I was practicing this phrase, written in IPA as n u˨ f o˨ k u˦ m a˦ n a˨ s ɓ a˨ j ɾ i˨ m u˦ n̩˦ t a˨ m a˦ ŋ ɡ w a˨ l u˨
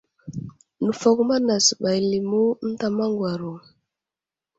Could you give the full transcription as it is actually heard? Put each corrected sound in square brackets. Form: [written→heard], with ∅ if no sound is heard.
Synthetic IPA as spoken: n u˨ f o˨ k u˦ m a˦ n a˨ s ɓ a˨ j [ɾ→l] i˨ m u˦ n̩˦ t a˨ m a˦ ŋ ɡ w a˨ [l→ɾ] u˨